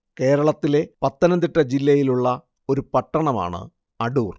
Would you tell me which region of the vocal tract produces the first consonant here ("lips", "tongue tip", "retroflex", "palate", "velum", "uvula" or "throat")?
velum